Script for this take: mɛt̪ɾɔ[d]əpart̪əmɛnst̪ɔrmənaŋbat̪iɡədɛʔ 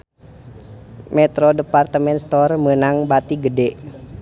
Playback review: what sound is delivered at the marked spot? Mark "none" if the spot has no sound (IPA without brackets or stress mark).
d